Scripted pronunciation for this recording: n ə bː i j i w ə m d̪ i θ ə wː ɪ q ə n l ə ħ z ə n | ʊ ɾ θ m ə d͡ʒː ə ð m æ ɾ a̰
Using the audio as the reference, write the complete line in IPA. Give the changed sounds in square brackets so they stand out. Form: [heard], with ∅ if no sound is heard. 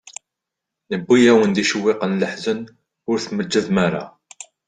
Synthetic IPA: n ə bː i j [æ] w ə [n] d̪ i [ʃ] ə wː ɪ q ə n l ə ħ z ə n | ʊ ɾ θ m ə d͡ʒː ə ð m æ ɾ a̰